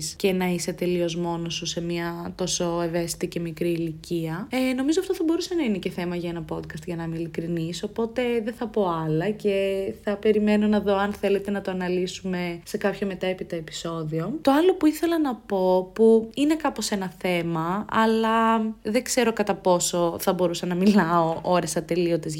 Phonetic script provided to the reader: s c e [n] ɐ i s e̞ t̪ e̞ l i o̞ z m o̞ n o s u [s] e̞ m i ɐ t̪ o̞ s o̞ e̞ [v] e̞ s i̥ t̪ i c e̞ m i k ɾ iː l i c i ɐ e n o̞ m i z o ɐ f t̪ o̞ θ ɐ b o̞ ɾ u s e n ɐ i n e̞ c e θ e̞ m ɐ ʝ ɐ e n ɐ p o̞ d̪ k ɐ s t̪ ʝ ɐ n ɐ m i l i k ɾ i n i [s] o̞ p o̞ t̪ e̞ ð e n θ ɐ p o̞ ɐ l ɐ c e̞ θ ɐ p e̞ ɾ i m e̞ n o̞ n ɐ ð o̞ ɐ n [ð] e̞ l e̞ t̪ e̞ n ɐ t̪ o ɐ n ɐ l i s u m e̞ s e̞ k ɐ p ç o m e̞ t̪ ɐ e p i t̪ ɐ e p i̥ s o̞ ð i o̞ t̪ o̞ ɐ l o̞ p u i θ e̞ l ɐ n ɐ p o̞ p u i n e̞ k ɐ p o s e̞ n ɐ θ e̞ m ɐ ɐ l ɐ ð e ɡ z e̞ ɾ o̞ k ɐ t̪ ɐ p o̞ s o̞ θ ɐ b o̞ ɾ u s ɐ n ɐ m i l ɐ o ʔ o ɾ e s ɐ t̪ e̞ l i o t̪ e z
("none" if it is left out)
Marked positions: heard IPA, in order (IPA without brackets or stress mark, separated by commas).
n, s, v, s, θ